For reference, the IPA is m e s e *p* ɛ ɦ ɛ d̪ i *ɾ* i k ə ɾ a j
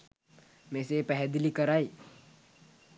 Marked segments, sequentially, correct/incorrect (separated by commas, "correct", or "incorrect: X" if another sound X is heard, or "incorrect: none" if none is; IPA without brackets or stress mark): correct, incorrect: l